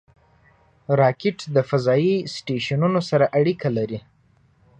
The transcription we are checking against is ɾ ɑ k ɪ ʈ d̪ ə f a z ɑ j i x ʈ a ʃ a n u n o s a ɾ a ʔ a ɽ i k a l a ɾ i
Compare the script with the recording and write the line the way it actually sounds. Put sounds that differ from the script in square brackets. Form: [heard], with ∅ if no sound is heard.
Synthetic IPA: ɾ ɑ k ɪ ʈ d̪ ə f a z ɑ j i [s] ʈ [e] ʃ a n u n o s a ɾ a ʔ a ɽ i k a l a ɾ i